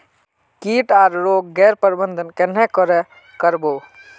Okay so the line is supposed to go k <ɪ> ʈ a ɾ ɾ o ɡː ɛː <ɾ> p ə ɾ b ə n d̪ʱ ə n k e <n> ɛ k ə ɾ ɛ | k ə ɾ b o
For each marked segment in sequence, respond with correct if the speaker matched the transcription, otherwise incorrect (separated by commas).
incorrect, correct, correct